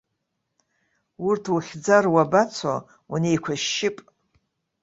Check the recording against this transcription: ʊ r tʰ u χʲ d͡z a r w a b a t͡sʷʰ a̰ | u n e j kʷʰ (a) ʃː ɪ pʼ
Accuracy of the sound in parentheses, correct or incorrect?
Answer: correct